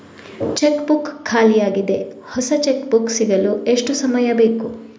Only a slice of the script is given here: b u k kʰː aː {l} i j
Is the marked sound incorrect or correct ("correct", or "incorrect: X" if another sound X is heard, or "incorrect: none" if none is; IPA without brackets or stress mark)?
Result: correct